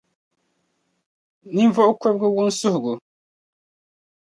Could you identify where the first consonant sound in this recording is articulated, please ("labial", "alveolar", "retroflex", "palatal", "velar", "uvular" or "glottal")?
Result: alveolar